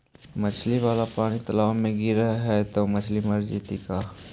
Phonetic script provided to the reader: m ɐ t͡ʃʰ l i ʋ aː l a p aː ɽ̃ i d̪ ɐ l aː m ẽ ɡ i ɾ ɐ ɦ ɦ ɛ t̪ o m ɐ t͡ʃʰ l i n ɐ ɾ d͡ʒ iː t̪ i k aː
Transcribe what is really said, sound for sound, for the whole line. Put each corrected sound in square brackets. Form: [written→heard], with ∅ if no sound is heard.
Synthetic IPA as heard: m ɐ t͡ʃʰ l i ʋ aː l a p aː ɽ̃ i [d̪→t̪] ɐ l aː m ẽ ɡ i ɾ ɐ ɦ ɦ ɛ t̪ o m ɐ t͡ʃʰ l i [n→m] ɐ ɾ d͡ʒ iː t̪ i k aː